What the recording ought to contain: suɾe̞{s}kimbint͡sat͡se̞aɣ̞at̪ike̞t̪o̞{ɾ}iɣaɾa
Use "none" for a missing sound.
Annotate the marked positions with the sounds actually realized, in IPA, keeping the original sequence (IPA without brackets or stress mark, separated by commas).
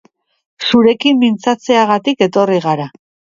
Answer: none, r